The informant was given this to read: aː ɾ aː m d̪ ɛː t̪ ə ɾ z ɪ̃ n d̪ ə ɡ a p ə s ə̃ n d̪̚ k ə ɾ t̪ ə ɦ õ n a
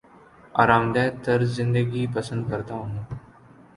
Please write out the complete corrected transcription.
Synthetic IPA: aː ɾ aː m d̪ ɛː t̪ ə ɾ z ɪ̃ n d̪ ə ɡ i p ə s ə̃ n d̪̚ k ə ɾ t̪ a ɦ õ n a